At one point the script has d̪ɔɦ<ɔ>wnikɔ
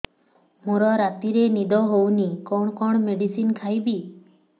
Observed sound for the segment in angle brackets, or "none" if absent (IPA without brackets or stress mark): o